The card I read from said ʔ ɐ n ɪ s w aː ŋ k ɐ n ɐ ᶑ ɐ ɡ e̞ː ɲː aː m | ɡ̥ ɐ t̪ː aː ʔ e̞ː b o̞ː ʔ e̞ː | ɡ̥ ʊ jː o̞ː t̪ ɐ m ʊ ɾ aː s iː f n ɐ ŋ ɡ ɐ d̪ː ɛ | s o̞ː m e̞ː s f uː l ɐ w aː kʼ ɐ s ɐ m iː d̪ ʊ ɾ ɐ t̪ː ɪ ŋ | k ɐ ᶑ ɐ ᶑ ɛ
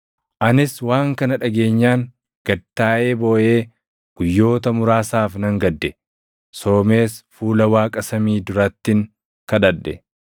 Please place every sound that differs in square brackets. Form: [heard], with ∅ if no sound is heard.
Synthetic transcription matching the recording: ʔ ɐ n ɪ s w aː ŋ k ɐ n ɐ ᶑ ɐ ɡ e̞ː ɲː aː [ŋ] | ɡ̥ ɐ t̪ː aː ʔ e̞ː b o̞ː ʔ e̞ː | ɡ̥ ʊ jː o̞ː t̪ ɐ m ʊ ɾ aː s [aː] f n ɐ ŋ ɡ ɐ d̪ː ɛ | s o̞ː m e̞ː s f uː l ɐ w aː kʼ ɐ s ɐ m iː d̪ ʊ ɾ ɐ t̪ː ɪ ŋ | k ɐ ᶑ ɐ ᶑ ɛ